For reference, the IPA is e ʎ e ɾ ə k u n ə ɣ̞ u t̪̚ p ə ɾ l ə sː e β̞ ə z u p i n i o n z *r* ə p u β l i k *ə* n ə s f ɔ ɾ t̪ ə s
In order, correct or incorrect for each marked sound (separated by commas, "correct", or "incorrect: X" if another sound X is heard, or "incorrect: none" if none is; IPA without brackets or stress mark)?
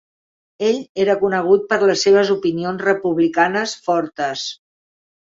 correct, incorrect: a